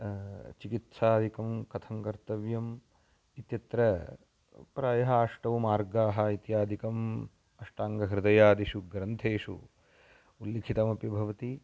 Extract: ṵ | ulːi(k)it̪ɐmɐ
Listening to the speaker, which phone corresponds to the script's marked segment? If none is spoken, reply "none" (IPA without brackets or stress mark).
kʰ